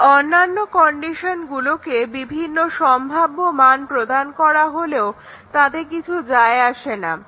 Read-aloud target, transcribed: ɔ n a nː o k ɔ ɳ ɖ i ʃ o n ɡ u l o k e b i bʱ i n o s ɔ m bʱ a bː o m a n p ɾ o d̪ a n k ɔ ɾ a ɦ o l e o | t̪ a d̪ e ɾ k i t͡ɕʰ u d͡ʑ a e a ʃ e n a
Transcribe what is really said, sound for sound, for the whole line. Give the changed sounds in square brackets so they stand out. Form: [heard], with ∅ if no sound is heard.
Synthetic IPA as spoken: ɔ [nː] a nː o k ɔ ɳ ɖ i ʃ o n ɡ u l o k e b i bʱ i [nː] o [ʃ] ɔ m bʱ a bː o m a n p ɾ o d̪ a n k ɔ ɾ a ɦ o l e o | t̪ a d̪ e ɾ k i t͡ɕʰ u d͡ʑ a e a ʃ e n a